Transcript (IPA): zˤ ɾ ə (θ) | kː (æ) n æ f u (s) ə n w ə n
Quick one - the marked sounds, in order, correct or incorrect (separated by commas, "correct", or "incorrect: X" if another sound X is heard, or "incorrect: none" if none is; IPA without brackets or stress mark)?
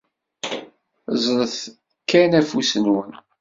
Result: correct, correct, correct